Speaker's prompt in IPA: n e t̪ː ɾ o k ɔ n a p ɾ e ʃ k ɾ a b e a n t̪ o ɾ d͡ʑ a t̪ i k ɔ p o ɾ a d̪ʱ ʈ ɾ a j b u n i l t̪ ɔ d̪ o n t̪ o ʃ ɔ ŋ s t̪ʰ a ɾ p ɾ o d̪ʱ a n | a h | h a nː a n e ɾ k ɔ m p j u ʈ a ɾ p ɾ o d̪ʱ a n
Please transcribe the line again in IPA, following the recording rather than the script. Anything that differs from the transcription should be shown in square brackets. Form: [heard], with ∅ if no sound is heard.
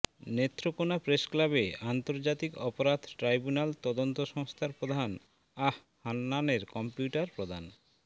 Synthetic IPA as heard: n e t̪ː ɾ o k [o] n a p ɾ e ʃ k [l] a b e a n t̪ o ɾ d͡ʑ a t̪ i k ɔ p o ɾ a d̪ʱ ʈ ɾ a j b u n [a] l t̪ ɔ d̪ o n t̪ o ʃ ɔ ŋ s t̪ʰ a ɾ p ɾ o d̪ʱ a n | a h | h a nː a n e ɾ k ɔ m p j u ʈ a ɾ p ɾ o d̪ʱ a n

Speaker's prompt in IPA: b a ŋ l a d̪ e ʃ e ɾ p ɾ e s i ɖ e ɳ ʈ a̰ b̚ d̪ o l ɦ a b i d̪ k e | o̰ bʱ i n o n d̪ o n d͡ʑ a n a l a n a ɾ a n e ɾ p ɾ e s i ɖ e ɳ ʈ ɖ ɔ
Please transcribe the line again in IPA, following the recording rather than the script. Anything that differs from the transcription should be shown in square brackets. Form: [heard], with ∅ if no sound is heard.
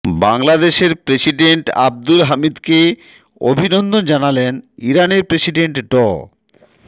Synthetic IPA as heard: b a ŋ l a d̪ e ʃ e ɾ p ɾ e s i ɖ e ɳ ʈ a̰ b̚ d̪ [u] l ɦ a [m] i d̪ k e | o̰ bʱ i n o n d̪ o n d͡ʑ a n a l [e] n [i] ɾ a n e ɾ p ɾ e s i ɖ e ɳ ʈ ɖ ɔ

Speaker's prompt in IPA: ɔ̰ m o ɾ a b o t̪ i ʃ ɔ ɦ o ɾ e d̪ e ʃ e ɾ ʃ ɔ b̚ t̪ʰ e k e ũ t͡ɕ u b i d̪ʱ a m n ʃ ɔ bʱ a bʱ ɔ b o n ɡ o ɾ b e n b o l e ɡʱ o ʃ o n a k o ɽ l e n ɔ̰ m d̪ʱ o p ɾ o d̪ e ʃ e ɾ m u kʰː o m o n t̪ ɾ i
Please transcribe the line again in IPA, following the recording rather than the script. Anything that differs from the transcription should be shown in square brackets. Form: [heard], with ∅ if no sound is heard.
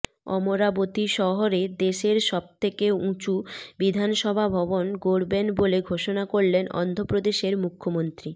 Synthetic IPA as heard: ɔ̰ m o ɾ a b o t̪ i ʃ ɔ ɦ o ɾ e d̪ e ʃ e ɾ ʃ ɔ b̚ t̪ʰ e k e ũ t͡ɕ u b i d̪ʱ a [∅] n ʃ ɔ bʱ a bʱ ɔ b o n ɡ o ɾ b e n b o l e ɡʱ o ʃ o n a k o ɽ l e n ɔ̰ [n] d̪ʱ o p ɾ o d̪ e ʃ e ɾ m u kʰː o m o n t̪ ɾ i

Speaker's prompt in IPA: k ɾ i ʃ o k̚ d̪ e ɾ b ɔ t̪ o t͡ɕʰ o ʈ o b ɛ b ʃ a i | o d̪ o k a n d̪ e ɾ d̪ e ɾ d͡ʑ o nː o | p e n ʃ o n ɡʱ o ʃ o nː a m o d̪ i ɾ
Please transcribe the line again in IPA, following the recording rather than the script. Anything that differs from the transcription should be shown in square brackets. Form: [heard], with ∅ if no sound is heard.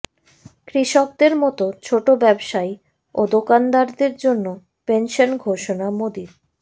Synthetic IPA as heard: k ɾ i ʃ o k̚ d̪ e ɾ [m] ɔ t̪ o t͡ɕʰ o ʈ o b ɛ b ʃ a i | o d̪ o k a n d̪ [a] ɾ d̪ e ɾ d͡ʑ o nː o | p e n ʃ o n ɡʱ o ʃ o [n] a m o d̪ i ɾ

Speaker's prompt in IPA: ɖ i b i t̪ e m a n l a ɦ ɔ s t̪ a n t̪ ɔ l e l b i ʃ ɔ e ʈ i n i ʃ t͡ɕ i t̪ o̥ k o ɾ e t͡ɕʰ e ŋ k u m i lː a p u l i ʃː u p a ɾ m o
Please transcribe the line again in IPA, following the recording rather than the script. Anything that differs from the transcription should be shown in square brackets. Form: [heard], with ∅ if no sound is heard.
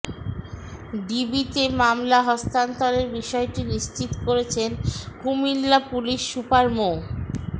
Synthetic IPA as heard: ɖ i b i t̪ e m a [m] l a ɦ ɔ s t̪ a n t̪ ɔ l e [ɾ] b i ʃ ɔ e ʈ i n i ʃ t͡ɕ i t̪ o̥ k o ɾ e t͡ɕʰ e [n] k u m i lː a p u l i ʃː u p a ɾ m o

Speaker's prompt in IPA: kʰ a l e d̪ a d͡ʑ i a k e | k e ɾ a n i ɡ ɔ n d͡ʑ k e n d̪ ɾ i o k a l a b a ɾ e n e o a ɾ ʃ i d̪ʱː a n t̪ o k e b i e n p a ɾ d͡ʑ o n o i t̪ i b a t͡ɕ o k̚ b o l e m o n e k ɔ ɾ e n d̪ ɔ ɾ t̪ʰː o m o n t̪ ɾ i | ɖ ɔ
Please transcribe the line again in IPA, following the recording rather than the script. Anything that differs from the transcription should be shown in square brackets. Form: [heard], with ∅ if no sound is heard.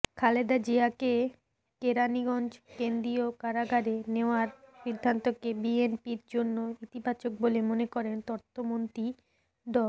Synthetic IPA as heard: kʰ a l e d̪ a d͡ʑ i a k e | k e ɾ a n i ɡ ɔ n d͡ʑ k e n d̪ ɾ i o k a [ɾ] a [ɡ] a ɾ e n e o a ɾ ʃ i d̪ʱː a n t̪ o k e b i e n p [i] ɾ d͡ʑ o [nː] o i t̪ i b a t͡ɕ o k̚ b o l e m o n e k ɔ ɾ e n [t̪] ɔ ɾ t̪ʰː o m o n t̪ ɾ i | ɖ ɔ

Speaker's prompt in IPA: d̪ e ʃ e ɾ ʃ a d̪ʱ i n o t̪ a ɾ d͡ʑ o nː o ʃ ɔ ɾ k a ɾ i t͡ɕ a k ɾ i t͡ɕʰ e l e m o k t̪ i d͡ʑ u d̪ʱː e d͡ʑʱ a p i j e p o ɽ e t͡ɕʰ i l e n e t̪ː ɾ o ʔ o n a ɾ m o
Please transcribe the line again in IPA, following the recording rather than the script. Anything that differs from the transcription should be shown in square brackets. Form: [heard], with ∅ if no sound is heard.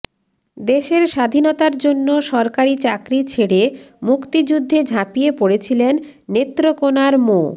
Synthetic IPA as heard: d̪ e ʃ e ɾ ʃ a d̪ʱ i n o t̪ a ɾ d͡ʑ o nː o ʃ ɔ ɾ k a ɾ i t͡ɕ a k ɾ i t͡ɕʰ e [ɽ] e m [u] k t̪ i d͡ʑ u d̪ʱː e d͡ʑʱ a p i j e p o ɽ e t͡ɕʰ i l e [nː] e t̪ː ɾ o [k] o n a ɾ m o

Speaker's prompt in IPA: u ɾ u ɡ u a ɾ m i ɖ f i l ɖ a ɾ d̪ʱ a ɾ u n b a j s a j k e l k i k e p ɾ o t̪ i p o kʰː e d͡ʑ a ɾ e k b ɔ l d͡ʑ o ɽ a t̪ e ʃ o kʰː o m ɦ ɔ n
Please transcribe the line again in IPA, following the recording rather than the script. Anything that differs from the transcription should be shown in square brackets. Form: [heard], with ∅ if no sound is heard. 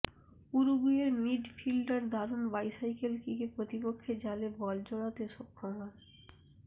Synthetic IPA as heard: u ɾ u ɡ u [e] ɾ m i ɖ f i l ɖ a ɾ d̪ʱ a ɾ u n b a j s a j k e l k i k e p ɾ o t̪ i p o kʰː e d͡ʑ a [l] e [∅] b ɔ l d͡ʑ o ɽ a t̪ e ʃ o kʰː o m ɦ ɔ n

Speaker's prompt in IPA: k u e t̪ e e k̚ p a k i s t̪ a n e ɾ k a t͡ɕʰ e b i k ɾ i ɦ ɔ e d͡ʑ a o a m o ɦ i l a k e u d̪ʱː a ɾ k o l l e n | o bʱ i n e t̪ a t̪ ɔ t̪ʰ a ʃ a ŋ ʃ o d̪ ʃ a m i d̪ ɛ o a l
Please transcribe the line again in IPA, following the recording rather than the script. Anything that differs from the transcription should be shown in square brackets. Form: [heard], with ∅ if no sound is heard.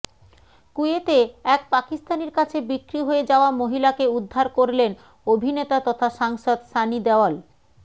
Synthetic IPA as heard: k u e t̪ e [ɛ] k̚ p a k i s t̪ a n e ɾ k a t͡ɕʰ e b i k ɾ i ɦ [o] e d͡ʑ a o a m o ɦ i l a k e u d̪ʱː a ɾ k o [ɾ] l e n | o bʱ i n e t̪ a t̪ ɔ t̪ʰ a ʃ a ŋ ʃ o d̪ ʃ a [n] i d̪ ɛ o a l

